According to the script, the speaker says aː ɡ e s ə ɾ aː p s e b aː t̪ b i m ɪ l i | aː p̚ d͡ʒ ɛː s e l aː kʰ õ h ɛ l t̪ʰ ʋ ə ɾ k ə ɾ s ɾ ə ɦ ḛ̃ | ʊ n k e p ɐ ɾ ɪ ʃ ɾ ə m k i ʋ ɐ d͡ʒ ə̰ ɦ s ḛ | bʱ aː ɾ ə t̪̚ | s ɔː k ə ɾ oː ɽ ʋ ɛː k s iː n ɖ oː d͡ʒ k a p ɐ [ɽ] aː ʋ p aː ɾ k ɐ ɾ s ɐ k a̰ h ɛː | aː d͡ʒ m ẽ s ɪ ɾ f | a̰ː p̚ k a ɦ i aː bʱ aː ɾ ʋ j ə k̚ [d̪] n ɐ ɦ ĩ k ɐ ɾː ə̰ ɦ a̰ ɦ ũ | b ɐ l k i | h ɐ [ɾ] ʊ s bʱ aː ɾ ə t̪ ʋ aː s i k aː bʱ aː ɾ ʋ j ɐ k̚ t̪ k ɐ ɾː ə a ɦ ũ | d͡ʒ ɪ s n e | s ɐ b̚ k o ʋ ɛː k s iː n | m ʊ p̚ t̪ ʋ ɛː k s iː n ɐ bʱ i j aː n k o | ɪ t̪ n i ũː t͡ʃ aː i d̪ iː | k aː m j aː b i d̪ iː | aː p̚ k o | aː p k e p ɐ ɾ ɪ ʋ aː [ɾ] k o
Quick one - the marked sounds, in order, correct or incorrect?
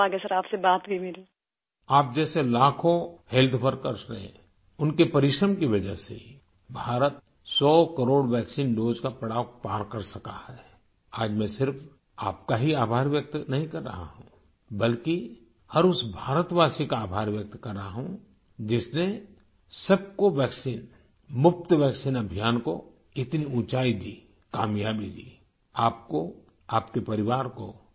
correct, incorrect: t̪, correct, correct

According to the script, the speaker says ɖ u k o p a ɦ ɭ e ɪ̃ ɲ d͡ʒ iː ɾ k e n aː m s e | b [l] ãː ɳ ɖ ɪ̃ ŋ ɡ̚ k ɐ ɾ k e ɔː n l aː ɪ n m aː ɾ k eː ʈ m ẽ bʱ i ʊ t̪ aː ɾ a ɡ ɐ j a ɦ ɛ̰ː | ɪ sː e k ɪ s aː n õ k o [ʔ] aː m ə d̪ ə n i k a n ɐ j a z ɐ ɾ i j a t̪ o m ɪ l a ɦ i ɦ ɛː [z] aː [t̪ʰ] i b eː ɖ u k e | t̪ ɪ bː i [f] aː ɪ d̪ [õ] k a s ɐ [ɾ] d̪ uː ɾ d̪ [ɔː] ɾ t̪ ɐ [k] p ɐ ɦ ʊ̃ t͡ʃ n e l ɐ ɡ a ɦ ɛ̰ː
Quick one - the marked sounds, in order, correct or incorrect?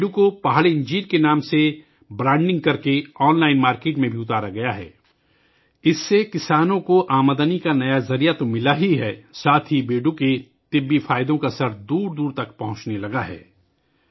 incorrect: ɾ, correct, incorrect: s, correct, correct, correct, correct, incorrect: uː, correct

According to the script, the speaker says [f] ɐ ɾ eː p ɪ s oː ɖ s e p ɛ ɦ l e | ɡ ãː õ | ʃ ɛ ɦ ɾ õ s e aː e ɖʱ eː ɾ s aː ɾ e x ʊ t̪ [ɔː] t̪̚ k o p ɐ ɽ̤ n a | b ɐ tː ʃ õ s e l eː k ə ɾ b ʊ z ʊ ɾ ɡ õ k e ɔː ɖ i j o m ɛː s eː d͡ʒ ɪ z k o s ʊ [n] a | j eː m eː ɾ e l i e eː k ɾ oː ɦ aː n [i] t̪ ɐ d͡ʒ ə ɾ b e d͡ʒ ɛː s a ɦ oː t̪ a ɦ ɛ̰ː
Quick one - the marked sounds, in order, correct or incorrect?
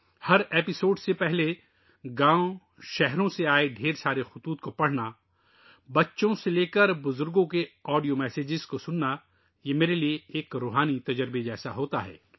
incorrect: h, incorrect: uː, incorrect: nː, correct

